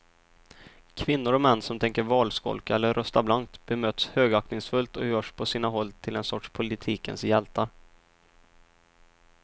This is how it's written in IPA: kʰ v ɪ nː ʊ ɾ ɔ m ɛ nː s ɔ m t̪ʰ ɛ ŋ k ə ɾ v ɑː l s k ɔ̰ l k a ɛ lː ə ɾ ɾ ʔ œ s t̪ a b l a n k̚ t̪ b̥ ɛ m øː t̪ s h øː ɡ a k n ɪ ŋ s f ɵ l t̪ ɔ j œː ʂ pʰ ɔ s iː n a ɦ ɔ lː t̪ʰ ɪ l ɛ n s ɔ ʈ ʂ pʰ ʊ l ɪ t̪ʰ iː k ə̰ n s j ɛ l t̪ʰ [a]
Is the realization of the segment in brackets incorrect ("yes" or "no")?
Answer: no